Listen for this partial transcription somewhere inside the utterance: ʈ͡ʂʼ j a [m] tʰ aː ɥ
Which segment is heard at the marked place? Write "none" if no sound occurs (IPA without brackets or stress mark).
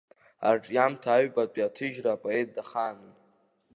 m